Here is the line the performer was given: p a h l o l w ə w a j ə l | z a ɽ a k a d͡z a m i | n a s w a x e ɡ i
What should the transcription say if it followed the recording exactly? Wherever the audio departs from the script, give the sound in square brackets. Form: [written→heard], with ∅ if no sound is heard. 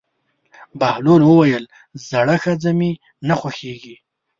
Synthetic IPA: [p→b] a h l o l w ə w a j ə l | z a ɽ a [k→x] a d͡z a m i | n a [s→x] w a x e ɡ i